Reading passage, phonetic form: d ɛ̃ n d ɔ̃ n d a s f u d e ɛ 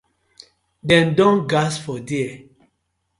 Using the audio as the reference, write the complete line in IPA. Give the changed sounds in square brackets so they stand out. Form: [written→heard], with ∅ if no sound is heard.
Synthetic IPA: d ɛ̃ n d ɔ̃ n [d→ɡ] a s f [u→ɔ] d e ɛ